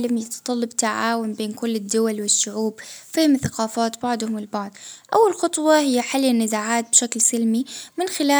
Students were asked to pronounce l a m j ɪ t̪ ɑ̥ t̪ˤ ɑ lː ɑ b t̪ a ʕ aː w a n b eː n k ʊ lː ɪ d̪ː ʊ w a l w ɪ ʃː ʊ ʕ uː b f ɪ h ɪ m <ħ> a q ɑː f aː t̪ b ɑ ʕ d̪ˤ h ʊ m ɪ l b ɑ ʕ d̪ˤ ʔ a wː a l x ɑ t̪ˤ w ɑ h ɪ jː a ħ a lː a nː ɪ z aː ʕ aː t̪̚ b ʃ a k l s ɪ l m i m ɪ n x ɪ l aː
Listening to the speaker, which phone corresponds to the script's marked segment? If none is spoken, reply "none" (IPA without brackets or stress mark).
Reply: θ